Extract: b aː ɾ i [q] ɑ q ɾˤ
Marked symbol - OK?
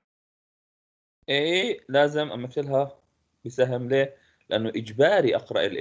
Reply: no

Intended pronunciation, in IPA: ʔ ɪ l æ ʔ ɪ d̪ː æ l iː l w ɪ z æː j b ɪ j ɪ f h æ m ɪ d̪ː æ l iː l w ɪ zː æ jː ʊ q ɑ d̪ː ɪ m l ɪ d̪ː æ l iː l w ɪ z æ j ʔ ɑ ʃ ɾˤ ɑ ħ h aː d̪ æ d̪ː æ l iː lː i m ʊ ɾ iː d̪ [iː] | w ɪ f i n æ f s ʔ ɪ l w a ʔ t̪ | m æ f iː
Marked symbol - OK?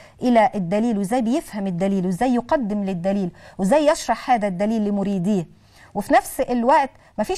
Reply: yes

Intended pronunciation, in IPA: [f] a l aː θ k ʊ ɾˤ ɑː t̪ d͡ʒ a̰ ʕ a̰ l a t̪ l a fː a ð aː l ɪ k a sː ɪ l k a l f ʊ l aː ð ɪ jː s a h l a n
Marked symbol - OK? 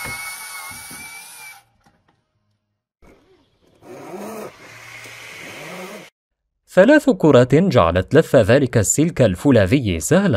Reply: no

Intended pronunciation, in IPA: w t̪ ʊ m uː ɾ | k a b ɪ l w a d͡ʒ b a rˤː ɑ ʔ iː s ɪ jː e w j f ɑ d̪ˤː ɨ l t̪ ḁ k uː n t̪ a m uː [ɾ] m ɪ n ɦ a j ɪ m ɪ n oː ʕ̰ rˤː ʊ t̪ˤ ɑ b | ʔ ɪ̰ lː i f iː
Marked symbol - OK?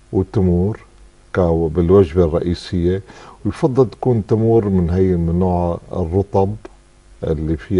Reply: yes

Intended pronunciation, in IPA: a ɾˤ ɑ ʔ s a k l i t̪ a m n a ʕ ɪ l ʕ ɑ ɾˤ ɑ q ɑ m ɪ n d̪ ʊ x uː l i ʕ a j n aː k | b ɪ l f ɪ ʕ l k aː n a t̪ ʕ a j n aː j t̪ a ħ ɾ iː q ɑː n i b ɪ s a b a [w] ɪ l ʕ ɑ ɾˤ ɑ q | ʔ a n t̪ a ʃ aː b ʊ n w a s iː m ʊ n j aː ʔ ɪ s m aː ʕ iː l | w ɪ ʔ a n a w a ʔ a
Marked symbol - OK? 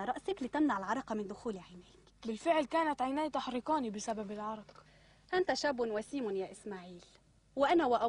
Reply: no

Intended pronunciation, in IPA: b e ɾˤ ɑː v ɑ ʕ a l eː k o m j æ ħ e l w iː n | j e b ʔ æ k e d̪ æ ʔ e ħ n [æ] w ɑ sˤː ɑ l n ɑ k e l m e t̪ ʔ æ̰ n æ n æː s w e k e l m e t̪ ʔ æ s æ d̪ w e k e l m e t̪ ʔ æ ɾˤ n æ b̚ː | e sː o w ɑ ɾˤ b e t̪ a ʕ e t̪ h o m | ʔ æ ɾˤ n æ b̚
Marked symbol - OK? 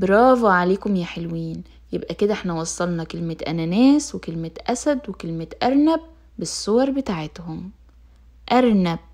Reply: yes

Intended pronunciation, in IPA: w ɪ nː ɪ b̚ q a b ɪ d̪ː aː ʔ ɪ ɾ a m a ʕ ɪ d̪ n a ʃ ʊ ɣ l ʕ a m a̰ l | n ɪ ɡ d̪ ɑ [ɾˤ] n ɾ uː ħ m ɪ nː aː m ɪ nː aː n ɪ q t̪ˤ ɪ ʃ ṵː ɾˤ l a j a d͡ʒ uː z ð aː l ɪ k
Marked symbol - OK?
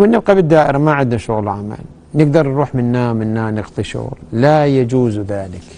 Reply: yes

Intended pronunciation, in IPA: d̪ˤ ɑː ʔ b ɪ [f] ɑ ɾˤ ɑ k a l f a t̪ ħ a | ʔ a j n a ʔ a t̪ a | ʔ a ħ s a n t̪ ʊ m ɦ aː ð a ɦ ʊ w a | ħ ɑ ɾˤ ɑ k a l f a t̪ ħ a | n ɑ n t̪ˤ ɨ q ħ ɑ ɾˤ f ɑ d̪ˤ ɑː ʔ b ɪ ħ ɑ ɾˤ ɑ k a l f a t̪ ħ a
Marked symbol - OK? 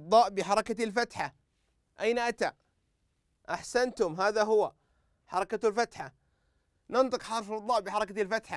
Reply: no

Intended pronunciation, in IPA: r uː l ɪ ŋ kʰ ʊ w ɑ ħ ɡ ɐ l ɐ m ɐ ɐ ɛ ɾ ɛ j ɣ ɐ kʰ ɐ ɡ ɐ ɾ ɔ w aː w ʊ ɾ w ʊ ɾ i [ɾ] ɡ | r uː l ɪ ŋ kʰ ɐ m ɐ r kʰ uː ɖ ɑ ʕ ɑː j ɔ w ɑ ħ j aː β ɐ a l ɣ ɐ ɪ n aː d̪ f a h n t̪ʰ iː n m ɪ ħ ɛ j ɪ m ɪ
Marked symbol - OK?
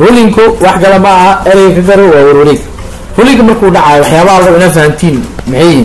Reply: no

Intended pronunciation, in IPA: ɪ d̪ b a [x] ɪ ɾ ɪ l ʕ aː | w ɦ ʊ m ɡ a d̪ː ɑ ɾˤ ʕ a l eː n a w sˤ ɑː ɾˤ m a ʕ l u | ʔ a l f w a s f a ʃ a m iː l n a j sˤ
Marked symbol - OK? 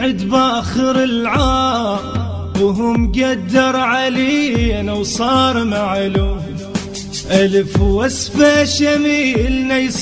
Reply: yes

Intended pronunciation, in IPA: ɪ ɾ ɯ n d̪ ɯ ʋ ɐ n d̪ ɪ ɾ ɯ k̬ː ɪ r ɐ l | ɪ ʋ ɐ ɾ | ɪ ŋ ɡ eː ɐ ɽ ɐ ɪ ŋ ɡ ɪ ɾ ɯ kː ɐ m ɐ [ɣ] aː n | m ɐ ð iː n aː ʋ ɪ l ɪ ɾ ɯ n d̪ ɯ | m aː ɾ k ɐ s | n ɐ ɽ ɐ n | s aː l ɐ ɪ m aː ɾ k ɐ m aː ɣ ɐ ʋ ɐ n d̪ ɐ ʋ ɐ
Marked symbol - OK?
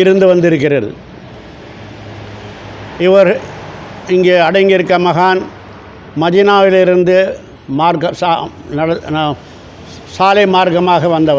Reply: yes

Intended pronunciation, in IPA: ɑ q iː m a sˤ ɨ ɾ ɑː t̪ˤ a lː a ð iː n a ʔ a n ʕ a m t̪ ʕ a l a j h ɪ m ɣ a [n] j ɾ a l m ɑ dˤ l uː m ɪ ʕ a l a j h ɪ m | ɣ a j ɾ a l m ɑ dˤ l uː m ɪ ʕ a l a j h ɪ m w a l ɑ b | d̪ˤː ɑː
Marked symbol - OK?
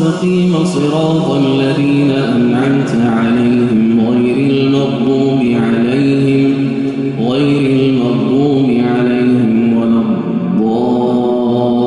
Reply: no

